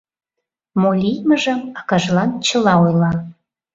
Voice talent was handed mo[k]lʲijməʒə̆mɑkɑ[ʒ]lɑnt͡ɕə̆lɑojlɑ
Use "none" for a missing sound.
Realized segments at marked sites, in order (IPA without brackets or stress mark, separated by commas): none, ʒ